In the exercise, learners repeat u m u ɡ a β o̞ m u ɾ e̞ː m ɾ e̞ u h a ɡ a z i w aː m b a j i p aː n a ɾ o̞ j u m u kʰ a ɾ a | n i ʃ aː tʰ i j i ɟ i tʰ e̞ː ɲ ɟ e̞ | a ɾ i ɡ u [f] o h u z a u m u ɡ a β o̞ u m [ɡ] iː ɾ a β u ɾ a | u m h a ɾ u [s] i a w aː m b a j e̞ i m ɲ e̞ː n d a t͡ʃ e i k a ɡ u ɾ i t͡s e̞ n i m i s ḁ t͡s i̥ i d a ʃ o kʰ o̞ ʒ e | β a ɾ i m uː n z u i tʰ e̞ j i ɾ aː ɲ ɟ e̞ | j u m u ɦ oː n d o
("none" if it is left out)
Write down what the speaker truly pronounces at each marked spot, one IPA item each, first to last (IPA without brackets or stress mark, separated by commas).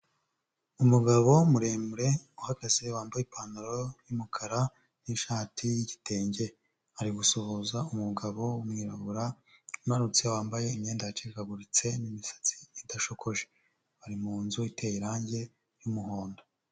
s, ŋ, t͡s